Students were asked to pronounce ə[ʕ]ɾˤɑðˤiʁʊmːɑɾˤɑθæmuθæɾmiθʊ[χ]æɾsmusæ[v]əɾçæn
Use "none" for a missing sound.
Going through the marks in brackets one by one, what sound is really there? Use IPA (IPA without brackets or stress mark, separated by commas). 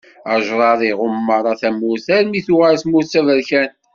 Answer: ʒ, ʁ, v